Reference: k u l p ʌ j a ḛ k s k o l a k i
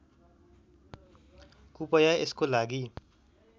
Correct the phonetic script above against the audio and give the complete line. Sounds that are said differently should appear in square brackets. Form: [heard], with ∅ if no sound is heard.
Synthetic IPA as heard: k u [∅] p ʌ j a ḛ [∅] s k o l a [ɡ] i